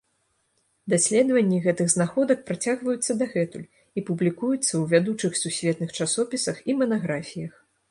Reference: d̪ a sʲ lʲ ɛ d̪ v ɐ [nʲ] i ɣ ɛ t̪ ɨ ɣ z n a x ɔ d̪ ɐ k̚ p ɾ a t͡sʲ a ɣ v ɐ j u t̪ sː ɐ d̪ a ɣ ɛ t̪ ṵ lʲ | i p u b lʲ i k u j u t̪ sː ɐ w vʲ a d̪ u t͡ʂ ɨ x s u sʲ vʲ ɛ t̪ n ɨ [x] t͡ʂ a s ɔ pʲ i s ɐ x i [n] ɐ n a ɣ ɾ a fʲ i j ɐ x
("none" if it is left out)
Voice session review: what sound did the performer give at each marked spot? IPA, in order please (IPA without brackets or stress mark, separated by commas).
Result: nʲː, x, m